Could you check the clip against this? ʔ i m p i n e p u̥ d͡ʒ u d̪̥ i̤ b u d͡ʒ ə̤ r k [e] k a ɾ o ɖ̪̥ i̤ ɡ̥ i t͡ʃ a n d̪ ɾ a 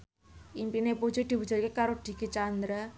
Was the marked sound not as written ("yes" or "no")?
no